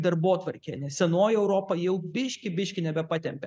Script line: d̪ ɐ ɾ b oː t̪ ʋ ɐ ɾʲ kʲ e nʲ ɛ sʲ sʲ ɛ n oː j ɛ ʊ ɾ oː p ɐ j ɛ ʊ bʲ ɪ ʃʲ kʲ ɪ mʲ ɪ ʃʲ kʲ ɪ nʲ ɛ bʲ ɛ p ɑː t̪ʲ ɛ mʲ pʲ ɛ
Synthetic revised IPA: d̪ ɐ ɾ b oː t̪ ʋ ɐ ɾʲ kʲ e nʲ ɛ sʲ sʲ ɛ n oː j ɛ ʊ ɾ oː p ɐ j ɛ ʊ bʲ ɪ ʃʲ kʲ ɪ bʲ ɪ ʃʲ kʲ ɪ nʲ ɛ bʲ ɛ p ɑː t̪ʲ ɛ mʲ pʲ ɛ